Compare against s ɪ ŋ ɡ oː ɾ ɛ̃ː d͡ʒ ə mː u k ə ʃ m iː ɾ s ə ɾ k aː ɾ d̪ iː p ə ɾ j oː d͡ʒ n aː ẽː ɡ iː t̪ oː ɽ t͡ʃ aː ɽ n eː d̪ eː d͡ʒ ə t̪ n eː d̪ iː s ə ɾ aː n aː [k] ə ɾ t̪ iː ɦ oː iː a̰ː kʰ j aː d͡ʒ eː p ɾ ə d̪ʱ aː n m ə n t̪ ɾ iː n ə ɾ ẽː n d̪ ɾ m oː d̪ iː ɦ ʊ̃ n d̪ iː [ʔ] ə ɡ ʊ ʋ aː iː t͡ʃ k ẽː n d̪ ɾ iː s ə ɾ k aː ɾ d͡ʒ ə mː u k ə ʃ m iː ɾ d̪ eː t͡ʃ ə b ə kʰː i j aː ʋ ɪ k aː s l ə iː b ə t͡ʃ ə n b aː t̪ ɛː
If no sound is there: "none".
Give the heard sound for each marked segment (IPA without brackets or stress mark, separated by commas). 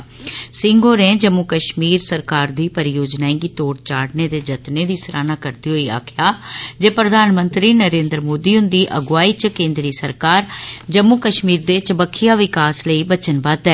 k, ʔ